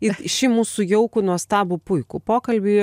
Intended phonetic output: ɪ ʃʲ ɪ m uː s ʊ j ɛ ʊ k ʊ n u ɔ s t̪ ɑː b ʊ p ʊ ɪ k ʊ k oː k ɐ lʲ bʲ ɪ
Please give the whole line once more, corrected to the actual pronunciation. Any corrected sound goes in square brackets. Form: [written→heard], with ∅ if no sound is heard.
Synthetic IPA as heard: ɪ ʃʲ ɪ m uː s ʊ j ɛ ʊ k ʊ n u ɔ s t̪ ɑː b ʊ p ʊ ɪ k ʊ [k→p] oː k ɐ lʲ bʲ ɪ

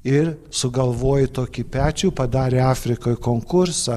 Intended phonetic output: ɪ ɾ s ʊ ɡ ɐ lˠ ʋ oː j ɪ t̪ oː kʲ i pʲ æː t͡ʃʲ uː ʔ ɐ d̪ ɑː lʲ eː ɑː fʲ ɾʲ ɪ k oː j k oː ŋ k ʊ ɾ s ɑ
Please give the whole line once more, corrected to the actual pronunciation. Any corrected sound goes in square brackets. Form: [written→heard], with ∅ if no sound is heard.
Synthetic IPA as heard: ɪ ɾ s ʊ ɡ ɐ lˠ ʋ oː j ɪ t̪ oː kʲ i pʲ æː t͡ʃʲ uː [ʔ→p] ɐ d̪ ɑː [lʲ→ɾʲ] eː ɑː fʲ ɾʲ ɪ k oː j k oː ŋ k ʊ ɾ s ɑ

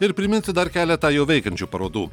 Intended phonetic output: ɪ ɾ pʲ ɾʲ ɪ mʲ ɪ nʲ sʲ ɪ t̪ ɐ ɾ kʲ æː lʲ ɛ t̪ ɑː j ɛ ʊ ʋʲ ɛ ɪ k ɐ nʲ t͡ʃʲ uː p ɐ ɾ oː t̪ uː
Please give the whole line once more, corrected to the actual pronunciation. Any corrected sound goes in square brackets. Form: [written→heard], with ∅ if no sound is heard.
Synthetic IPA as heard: ɪ ɾ pʲ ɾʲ ɪ mʲ ɪ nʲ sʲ ɪ [t̪→d̪] ɐ ɾ kʲ æː lʲ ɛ t̪ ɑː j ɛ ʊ ʋʲ ɛ ɪ k ɐ nʲ t͡ʃʲ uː p ɐ ɾ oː [t̪→d̪] uː

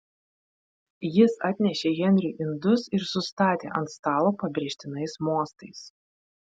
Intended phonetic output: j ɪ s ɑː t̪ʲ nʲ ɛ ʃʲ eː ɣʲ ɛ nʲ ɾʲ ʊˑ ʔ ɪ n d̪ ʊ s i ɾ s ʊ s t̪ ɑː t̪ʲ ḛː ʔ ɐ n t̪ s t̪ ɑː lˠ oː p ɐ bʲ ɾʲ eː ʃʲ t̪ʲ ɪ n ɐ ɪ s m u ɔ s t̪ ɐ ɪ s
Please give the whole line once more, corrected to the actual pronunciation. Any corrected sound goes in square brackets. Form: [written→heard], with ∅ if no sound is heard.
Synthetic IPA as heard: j ɪ s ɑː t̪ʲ nʲ ɛ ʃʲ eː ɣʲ ɛ nʲ ɾʲ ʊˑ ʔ ɪ n d̪ ʊ s [i→ɪ] ɾ s ʊ s t̪ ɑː t̪ʲ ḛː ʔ ɐ n t̪ s t̪ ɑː lˠ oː p ɐ bʲ ɾʲ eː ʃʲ t̪ʲ ɪ n ɐ ɪ s m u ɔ s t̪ ɐ ɪ s

